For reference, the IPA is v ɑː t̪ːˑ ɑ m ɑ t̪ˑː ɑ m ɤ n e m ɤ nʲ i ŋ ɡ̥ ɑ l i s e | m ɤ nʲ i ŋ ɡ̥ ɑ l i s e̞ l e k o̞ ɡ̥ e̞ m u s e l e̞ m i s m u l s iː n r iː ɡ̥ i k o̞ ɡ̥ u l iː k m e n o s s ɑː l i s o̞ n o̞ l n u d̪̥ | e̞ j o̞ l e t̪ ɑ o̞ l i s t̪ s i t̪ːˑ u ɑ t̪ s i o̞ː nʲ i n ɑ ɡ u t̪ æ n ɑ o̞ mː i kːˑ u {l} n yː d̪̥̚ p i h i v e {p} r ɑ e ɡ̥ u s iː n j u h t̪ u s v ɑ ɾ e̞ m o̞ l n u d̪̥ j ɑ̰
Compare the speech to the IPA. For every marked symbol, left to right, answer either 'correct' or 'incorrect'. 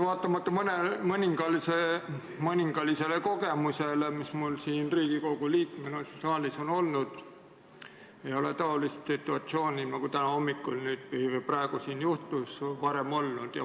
correct, correct

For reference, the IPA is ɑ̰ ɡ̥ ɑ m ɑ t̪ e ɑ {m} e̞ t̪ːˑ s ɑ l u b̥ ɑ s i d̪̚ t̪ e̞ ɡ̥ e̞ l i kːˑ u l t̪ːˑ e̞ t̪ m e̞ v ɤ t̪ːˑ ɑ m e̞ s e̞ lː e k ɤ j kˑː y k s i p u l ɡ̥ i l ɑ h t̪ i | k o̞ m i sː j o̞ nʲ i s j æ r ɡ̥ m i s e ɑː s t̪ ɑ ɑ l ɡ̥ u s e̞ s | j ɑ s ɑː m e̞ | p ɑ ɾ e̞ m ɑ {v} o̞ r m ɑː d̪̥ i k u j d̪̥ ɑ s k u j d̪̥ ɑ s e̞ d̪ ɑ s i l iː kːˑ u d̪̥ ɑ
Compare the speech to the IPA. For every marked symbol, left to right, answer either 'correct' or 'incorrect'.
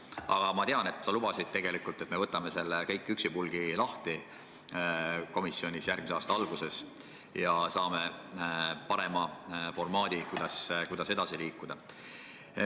incorrect: n, incorrect: f

